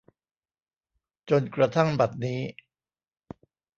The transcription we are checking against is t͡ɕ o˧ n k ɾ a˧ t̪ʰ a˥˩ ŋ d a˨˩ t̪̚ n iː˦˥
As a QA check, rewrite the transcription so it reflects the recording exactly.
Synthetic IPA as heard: t͡ɕ o˧ n k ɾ a˧ t̪ʰ a˥˩ ŋ b a˨˩ t̪̚ n iː˦˥